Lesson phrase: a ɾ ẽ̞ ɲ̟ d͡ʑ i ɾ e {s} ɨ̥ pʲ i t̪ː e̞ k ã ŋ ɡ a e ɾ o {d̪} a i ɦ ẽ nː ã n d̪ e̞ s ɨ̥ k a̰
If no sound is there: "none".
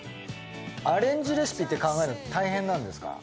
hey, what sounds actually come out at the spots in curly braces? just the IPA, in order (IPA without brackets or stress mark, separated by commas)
s, t̪